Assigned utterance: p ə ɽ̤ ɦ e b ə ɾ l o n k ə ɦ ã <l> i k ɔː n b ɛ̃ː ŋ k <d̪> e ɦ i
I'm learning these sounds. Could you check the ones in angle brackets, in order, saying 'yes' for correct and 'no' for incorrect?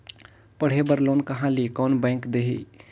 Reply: yes, yes

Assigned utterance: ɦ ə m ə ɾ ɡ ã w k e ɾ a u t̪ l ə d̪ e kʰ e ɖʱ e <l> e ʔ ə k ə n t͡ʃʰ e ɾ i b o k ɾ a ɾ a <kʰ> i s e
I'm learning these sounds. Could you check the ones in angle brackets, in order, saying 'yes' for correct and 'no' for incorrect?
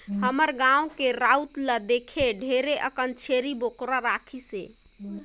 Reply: no, yes

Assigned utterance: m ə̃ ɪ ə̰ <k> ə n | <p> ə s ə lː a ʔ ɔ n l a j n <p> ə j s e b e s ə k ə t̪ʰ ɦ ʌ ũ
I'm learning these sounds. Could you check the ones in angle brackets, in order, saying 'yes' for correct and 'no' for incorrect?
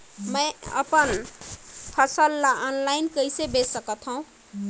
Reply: no, no, no

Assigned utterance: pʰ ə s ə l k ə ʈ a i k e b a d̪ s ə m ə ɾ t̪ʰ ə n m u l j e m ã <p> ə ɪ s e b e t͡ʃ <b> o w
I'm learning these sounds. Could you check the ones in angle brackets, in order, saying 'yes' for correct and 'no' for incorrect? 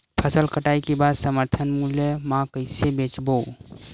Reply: no, yes

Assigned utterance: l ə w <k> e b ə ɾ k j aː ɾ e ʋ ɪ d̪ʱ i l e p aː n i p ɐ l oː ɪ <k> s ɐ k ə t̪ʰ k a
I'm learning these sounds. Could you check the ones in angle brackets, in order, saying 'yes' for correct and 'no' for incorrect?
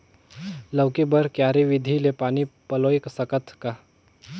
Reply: yes, yes

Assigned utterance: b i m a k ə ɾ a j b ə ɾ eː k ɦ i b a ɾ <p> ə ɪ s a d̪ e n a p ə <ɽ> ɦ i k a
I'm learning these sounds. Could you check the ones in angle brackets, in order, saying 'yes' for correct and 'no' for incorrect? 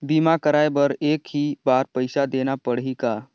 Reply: yes, yes

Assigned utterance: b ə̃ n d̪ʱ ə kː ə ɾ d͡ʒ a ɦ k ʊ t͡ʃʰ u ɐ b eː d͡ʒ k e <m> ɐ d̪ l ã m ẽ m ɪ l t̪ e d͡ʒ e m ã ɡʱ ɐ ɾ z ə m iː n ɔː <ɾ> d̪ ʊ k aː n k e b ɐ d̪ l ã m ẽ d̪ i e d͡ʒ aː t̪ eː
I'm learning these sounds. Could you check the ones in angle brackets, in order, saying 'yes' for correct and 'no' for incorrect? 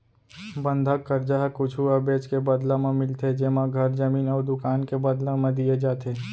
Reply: no, yes

